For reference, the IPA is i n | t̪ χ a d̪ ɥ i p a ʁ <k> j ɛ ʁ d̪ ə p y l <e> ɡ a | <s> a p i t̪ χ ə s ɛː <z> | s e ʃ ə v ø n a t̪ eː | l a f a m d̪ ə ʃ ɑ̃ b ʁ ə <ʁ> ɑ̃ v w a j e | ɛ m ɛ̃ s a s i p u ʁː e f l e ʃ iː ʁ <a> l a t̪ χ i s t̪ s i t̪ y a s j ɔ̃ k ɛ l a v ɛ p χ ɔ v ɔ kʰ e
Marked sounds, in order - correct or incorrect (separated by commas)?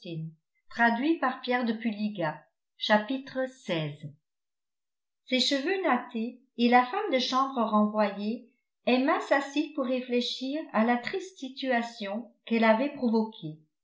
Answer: incorrect, incorrect, incorrect, correct, correct, correct